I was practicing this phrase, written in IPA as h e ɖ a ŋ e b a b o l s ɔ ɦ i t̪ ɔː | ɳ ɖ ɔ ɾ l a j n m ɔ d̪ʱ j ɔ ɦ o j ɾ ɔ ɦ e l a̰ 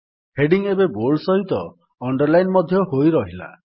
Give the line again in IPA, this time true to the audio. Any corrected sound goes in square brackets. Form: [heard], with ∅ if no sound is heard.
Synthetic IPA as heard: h e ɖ [i] ŋ e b [e] b o l s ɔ ɦ i t̪ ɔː | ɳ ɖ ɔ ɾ l a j n m ɔ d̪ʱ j ɔ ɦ o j ɾ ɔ ɦ [i] l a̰